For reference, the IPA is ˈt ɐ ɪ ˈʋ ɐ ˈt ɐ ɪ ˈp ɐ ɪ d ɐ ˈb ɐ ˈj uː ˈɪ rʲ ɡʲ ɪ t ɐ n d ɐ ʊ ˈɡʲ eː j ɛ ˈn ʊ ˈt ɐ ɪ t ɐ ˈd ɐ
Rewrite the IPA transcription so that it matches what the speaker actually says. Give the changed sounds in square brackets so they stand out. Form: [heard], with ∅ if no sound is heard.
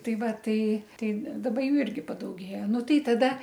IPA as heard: ˈt ɐ ɪ ˈʋ ɐ ˈt ɐ ɪ [ˈt] ɐ ɪ d ɐ ˈb ɐ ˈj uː ˈɪ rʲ ɡʲ ɪ [p] ɐ [∅] d ɐ ʊ ˈɡʲ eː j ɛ ˈn ʊ ˈt ɐ ɪ t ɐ ˈd ɐ